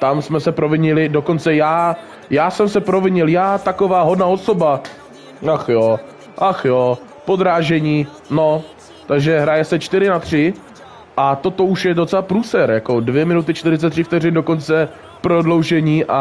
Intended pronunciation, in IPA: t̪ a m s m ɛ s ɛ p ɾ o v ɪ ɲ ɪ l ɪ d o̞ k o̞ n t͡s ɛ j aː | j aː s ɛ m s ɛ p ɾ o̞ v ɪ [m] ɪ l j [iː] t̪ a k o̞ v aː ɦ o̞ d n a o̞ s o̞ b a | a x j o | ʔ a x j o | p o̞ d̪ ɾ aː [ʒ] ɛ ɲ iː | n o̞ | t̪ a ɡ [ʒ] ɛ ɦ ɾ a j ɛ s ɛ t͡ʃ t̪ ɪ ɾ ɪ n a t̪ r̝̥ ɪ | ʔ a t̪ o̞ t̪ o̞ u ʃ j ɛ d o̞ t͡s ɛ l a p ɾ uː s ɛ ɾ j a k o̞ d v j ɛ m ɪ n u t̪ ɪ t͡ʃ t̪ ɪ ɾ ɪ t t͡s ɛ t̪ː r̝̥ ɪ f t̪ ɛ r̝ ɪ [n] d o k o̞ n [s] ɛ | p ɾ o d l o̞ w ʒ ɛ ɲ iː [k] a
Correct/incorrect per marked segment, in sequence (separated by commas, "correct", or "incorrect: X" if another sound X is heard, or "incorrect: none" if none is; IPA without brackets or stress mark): incorrect: ɲ, incorrect: aː, correct, correct, correct, incorrect: t͡s, incorrect: ʔ